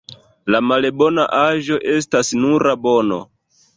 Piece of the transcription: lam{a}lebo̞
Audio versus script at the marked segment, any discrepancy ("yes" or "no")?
no